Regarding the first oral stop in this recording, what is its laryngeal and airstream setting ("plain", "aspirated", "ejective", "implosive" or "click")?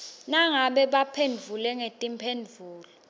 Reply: implosive